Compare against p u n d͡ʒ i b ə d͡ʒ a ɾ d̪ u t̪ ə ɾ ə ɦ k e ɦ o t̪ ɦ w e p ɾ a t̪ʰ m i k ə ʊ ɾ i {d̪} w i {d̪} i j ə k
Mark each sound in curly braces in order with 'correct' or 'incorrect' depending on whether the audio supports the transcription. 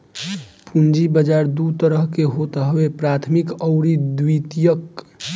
correct, incorrect

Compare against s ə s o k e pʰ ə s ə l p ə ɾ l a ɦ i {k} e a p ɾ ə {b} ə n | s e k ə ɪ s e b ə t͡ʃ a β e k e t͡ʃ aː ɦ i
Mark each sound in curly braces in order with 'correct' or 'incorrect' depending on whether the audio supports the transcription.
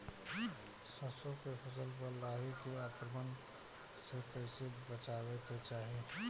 correct, incorrect

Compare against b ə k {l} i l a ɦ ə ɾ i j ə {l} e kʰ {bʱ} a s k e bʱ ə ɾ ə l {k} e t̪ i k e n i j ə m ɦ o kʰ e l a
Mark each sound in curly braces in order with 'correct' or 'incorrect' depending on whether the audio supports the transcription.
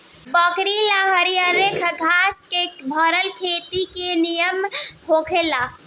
incorrect, incorrect, incorrect, incorrect

